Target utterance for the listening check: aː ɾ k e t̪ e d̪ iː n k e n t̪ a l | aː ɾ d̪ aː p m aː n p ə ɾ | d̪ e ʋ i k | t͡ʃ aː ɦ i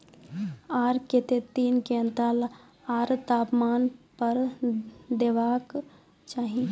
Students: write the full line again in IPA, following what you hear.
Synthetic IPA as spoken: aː ɾ k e t̪ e t̪ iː n k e n t̪ a l | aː ɾ t̪ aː p m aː n p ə ɾ | d̪ e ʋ a k | t͡ʃ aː ɦ i